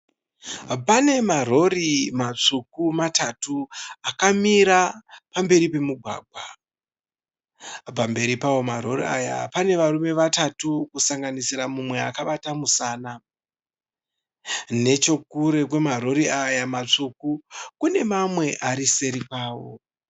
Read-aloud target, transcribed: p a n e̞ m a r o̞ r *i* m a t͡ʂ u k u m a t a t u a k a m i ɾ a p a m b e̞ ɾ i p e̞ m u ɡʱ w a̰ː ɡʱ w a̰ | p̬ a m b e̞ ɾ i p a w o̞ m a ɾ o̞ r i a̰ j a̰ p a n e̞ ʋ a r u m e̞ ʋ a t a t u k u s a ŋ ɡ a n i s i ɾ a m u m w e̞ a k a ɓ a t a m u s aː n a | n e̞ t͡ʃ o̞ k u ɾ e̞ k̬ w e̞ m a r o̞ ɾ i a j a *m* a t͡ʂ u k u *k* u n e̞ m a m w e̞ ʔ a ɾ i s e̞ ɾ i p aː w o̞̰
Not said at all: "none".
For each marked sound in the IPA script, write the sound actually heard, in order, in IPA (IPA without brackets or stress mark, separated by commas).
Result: i, m, k